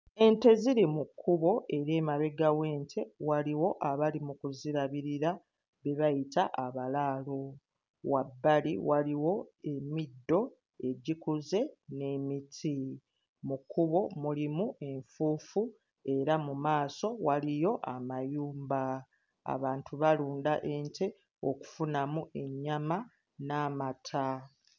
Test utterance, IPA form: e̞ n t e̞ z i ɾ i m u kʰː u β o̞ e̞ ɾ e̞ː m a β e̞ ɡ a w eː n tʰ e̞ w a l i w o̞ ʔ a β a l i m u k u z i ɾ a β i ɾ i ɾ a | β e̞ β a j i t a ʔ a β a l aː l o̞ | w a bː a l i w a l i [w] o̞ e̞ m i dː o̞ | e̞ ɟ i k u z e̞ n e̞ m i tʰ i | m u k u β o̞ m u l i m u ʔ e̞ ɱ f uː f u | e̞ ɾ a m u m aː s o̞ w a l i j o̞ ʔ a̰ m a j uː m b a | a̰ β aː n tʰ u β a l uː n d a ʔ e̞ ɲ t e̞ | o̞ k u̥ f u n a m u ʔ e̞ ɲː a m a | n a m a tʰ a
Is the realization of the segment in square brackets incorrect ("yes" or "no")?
no